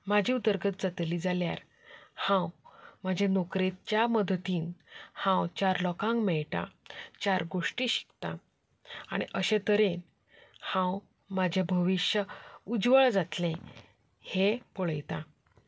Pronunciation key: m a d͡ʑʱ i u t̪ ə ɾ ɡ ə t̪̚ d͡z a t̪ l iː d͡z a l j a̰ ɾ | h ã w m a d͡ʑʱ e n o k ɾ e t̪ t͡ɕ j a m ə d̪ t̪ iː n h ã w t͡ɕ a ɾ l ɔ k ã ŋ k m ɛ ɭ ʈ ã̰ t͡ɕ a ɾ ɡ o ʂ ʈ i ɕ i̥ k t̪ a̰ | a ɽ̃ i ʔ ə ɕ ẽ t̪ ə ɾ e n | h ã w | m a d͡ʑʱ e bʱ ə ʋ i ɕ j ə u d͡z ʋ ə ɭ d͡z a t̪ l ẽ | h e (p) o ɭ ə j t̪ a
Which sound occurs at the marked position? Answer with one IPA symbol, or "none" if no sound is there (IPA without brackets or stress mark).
p